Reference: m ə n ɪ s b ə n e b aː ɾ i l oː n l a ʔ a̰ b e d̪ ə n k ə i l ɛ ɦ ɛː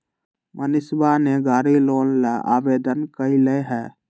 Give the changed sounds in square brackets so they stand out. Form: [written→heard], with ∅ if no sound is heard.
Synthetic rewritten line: m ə n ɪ s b [ə→a] n e [b→ɡ] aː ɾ i l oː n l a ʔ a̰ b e d̪ ə n k ə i l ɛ ɦ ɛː